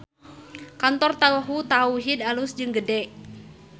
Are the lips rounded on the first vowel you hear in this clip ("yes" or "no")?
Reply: no